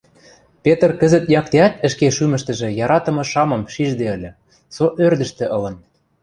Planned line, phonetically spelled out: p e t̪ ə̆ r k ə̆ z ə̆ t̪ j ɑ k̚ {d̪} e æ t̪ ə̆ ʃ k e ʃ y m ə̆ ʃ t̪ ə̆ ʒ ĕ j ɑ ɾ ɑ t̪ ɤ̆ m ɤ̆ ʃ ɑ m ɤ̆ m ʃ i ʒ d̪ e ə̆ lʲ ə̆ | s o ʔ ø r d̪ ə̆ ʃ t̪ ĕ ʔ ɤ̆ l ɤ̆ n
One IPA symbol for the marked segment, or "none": t̪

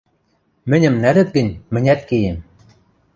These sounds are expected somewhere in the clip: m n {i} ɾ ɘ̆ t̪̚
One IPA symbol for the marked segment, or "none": æ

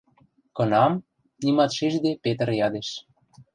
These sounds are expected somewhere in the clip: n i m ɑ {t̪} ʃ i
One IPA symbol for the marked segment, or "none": t̪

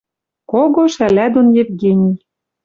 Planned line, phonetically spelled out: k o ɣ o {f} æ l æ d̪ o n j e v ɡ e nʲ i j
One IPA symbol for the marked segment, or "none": ʃ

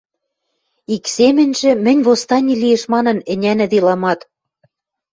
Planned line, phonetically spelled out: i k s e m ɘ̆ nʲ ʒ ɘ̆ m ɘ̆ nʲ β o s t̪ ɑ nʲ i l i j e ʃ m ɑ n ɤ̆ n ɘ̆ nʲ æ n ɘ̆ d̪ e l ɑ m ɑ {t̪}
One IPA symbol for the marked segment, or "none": t̪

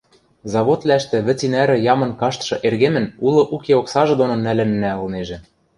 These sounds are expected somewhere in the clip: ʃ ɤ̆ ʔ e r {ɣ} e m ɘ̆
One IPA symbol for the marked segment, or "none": ɣ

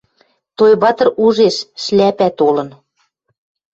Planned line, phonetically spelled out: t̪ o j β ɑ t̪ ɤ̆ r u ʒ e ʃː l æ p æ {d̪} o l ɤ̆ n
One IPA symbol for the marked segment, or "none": t̪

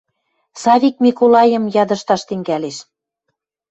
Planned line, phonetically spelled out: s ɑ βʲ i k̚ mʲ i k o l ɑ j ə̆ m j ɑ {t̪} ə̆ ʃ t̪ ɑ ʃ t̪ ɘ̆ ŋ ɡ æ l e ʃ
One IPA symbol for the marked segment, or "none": d̪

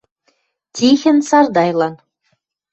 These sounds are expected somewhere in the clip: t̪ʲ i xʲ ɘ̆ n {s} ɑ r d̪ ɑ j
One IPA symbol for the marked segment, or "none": s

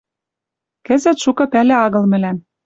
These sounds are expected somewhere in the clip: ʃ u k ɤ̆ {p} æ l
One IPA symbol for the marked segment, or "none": p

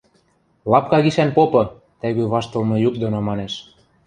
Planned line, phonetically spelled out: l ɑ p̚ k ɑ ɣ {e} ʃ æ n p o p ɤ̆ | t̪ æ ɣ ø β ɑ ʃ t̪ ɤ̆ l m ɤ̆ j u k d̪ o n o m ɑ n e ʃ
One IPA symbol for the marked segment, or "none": i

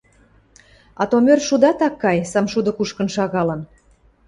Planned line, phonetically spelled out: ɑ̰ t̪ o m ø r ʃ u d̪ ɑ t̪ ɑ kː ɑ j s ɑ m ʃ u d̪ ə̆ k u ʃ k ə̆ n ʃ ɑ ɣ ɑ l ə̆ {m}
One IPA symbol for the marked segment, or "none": n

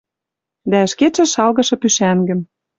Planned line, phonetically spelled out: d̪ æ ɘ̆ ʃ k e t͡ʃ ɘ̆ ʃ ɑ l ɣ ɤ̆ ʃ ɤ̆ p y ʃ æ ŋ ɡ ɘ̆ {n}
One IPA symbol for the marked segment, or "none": m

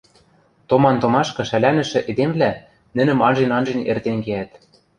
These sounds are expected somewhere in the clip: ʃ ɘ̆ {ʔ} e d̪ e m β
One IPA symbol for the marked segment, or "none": ʔ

